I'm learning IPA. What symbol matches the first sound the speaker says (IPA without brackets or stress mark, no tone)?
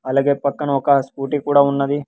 ɐ